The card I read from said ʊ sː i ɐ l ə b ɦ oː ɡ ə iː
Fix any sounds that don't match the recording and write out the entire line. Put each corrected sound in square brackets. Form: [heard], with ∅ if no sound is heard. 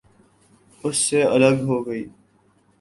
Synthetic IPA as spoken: ʊ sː [e] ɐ l ə [ɡ] ɦ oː ɡ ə iː

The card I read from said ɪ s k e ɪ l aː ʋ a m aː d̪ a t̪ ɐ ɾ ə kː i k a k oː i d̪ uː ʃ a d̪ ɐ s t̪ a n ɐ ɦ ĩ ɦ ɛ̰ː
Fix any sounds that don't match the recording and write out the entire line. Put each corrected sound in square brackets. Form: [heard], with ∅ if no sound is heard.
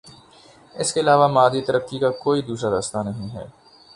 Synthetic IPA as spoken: ɪ s k e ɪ l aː ʋ a m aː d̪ [i] t̪ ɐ ɾ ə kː i k a k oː i d̪ uː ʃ a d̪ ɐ s t̪ a n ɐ ɦ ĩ ɦ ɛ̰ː

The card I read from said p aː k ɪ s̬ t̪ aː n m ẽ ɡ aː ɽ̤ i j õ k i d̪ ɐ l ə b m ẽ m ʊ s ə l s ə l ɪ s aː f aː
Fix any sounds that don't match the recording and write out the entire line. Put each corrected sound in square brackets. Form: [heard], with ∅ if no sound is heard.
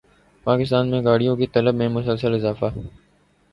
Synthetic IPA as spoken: p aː k ɪ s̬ t̪ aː n m ẽ ɡ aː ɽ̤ i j õ k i [t̪] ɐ l ə b m ẽ m ʊ s ə l s ə l ɪ [z] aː f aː

